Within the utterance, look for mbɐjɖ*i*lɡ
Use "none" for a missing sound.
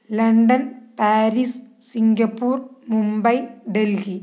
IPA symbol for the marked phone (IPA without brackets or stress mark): e